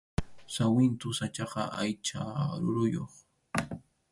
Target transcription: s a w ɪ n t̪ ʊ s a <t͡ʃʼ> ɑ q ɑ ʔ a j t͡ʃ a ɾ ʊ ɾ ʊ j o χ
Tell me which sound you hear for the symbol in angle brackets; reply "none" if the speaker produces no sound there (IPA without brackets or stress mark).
t͡ʃ